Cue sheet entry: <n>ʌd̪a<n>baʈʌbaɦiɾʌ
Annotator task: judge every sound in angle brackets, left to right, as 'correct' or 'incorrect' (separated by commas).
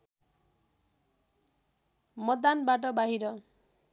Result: incorrect, correct